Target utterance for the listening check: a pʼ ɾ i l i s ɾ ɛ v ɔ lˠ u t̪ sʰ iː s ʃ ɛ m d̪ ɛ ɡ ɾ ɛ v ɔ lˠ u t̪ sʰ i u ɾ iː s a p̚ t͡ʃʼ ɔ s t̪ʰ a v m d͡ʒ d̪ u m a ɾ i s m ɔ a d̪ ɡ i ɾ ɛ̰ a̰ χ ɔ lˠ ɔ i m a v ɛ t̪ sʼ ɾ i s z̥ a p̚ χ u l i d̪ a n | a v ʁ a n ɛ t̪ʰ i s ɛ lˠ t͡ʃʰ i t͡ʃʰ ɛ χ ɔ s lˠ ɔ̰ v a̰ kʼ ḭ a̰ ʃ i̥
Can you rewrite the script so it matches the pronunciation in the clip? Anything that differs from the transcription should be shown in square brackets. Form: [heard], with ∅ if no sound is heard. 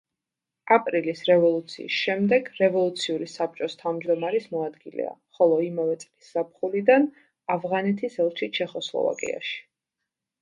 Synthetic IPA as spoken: a pʼ ɾ i l i s ɾ ɛ v ɔ lˠ u t̪ sʰ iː s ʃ ɛ m d̪ ɛ ɡ ɾ ɛ v ɔ lˠ u t̪ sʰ i u ɾ [i] s a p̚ t͡ʃʼ ɔ s t̪ʰ a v m d͡ʒ d̪ [ɔ] m a ɾ i s m ɔ a d̪ ɡ i [l] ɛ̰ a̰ χ ɔ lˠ ɔ i m a v ɛ t̪ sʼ [l] i s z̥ a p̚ χ u l i d̪ a n | a v ʁ a n ɛ t̪ʰ i s ɛ lˠ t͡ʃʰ i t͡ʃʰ ɛ χ ɔ s lˠ ɔ̰ v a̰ kʼ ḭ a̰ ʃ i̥